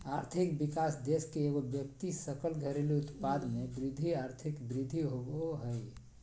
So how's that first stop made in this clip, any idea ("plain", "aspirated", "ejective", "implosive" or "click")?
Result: aspirated